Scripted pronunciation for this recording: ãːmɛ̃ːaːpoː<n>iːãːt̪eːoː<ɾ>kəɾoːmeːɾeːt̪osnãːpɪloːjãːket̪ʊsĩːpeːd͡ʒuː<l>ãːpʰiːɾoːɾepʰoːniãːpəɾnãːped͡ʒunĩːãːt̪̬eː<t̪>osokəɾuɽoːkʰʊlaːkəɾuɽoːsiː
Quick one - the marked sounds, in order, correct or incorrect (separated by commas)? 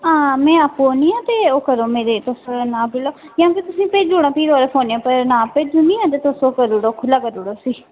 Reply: correct, incorrect, incorrect, correct